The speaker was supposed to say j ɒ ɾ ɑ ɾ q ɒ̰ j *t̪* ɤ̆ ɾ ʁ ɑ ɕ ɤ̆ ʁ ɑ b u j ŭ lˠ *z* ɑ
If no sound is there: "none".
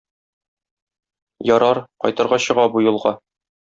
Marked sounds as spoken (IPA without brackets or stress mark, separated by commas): t̪, ʁ